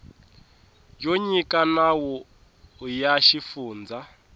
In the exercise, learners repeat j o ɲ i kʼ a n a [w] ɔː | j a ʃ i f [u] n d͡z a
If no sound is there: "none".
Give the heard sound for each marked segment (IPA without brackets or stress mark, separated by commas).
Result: w, uː